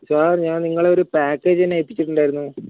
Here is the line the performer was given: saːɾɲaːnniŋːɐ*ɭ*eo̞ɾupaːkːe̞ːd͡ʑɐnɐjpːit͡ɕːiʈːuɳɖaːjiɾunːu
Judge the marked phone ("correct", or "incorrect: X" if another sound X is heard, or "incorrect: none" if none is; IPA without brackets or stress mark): correct